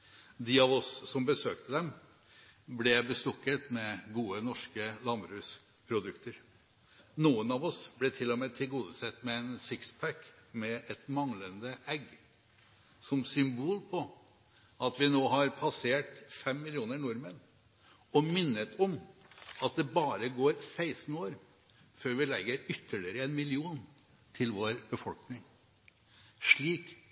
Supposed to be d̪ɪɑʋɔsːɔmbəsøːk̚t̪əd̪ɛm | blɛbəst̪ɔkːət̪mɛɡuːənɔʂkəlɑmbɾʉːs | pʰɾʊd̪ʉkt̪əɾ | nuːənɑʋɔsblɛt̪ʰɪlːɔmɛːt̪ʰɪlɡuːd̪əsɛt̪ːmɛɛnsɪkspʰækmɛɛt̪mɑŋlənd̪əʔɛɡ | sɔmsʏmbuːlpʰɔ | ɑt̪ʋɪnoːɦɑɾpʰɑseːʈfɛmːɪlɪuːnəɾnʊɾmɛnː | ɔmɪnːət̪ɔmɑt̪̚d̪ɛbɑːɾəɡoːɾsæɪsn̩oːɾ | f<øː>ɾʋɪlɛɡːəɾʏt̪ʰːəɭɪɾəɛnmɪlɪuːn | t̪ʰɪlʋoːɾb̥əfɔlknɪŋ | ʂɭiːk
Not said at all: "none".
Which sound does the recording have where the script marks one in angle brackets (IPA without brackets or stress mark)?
øː